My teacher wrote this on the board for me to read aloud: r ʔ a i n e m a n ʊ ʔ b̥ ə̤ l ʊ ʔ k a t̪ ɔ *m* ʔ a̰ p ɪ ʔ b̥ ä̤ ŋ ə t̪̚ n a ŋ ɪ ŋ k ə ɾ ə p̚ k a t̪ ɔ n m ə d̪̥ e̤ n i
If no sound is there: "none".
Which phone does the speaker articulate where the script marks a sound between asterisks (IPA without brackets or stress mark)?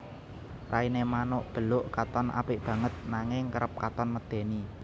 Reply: n